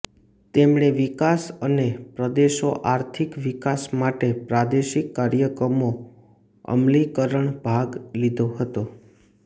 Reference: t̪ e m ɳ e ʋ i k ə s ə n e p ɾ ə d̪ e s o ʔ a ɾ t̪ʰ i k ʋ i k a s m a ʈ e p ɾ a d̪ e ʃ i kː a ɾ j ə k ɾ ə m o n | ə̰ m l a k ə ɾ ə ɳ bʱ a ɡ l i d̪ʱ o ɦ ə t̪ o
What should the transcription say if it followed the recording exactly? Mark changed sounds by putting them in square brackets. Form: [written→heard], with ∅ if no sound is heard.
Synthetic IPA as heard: t̪ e m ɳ e ʋ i k [ə→a] s ə n e p ɾ ə d̪ e [s→ʃ] o ʔ a ɾ t̪ʰ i k ʋ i k a s m a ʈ e p ɾ a d̪ e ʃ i kː a ɾ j ə k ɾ ə m o [n→∅] | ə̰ m l [a→i] k ə ɾ ə ɳ bʱ a ɡ l i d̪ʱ o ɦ ə t̪ o